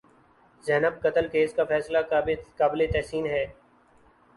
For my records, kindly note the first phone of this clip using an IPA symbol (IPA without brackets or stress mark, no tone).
z